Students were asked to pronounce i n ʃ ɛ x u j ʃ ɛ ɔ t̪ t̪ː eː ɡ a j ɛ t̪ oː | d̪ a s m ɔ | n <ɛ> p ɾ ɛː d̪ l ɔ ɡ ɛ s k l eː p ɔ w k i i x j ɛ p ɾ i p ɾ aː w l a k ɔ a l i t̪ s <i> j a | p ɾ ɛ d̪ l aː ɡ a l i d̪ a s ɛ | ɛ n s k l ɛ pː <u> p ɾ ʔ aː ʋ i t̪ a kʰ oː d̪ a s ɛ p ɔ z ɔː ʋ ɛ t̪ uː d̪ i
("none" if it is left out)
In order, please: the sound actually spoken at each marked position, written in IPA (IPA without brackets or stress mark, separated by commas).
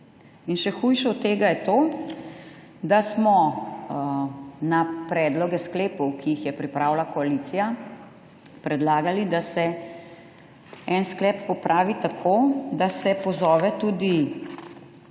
a, i, ɔ